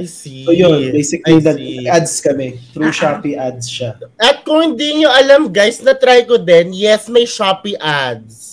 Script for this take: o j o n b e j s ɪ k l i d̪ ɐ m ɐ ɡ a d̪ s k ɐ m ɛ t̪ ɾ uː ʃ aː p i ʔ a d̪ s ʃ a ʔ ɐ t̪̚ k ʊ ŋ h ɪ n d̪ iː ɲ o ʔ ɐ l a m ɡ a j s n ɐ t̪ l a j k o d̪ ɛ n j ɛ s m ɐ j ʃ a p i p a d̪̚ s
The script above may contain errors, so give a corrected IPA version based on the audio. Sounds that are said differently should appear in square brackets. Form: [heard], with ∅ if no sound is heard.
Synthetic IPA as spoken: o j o n b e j s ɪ k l i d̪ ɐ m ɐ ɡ a d̪ s k ɐ m ɛ t̪ ɾ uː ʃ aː p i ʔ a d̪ s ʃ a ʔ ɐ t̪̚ k ʊ ŋ h ɪ n d̪ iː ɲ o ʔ ɐ l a m ɡ a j s n ɐ t̪ [ɾ] a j k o d̪ ɛ n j ɛ s m ɐ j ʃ a p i [ʔ] a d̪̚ s